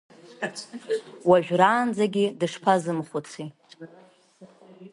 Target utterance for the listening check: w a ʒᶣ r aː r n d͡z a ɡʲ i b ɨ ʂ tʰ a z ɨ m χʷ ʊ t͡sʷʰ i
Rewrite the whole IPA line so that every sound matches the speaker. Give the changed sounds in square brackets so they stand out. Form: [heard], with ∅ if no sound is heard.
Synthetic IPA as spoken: w a ʒᶣ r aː [∅] n d͡z a ɡʲ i [d] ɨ ʂ [pʰ] a z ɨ m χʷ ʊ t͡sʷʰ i